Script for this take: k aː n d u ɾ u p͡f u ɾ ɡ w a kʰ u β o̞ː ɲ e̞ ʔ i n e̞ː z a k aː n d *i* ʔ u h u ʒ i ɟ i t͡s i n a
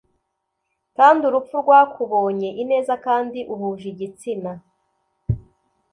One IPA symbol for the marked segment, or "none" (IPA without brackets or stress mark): i